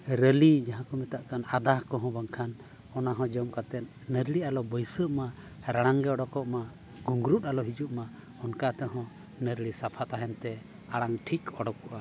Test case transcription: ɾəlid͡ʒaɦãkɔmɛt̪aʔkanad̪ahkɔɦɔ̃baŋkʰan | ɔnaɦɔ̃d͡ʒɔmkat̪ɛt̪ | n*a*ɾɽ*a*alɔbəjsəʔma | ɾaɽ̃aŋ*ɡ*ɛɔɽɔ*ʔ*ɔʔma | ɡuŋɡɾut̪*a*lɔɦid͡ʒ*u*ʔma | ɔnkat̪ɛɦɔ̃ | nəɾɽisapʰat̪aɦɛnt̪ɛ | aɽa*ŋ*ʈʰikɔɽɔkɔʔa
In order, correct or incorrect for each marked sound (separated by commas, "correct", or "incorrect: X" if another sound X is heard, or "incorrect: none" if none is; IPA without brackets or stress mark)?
incorrect: ə, incorrect: i, correct, incorrect: k, correct, correct, correct